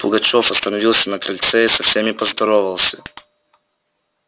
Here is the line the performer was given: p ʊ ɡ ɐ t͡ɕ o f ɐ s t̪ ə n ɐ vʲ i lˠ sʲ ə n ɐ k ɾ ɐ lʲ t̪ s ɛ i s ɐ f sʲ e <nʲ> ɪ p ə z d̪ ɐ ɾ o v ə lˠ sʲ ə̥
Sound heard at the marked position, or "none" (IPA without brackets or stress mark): mʲ